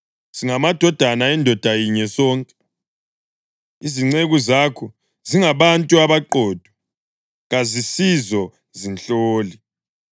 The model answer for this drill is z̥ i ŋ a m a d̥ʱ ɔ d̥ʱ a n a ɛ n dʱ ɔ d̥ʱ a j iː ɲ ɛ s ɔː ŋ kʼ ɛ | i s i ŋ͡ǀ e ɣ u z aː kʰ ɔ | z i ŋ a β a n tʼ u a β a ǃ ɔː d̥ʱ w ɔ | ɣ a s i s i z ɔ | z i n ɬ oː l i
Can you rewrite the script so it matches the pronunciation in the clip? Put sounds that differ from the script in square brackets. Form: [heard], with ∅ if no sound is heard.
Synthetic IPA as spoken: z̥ i ŋ a m a d̥ʱ ɔ d̥ʱ a n a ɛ n dʱ ɔ d̥ʱ a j [i] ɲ ɛ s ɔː ŋ kʼ ɛ | i [z] i ŋ͡ǀ e ɣ u z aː kʰ ɔ | z i ŋ a β a n tʼ u a β a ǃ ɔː d̥ʱ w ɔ | ɣ a [z] i s i z ɔ | z i n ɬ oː l i